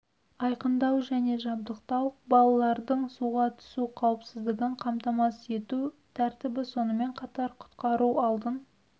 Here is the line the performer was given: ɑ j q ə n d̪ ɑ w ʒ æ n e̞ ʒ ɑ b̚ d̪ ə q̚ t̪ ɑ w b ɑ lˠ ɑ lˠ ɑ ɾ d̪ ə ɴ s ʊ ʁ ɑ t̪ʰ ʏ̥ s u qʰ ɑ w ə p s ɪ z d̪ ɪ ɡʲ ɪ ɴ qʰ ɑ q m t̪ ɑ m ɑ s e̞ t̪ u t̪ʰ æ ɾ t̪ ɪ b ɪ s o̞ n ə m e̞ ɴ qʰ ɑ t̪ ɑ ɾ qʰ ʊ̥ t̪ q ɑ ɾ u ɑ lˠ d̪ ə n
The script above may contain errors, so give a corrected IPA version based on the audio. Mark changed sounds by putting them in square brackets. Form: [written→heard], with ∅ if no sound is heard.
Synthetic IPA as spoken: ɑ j q ə n d̪ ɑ w ʒ æ n e̞ ʒ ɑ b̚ d̪ ə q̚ t̪ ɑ w b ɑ lˠ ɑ lˠ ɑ ɾ d̪ ə ɴ s [ʊ→u] ʁ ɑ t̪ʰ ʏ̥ s u qʰ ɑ w ə p s ɪ z d̪ ɪ ɡʲ ɪ ɴ qʰ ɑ [q→∅] m t̪ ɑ m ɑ s e̞ t̪ u t̪ʰ æ ɾ t̪ ɪ b ɪ s o̞ n ə m e̞ ɴ qʰ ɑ t̪ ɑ ɾ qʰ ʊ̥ t̪ q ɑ ɾ u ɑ lˠ d̪ ə n